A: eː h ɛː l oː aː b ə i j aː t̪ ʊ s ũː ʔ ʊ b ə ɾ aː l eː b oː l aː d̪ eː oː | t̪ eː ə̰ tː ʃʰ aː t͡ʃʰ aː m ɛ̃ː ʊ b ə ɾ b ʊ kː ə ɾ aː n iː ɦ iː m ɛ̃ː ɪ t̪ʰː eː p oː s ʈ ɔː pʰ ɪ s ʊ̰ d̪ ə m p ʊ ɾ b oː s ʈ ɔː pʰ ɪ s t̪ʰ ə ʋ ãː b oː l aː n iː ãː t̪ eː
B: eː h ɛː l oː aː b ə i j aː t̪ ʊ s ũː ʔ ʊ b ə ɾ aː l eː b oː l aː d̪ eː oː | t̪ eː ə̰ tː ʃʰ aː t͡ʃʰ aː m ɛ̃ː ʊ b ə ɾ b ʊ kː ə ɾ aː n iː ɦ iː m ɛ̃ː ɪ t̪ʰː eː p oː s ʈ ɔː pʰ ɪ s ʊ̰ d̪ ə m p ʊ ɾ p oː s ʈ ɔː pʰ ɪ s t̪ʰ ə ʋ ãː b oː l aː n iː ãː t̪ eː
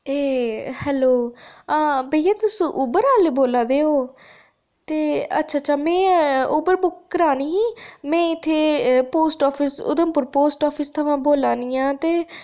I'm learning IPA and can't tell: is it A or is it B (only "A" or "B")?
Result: B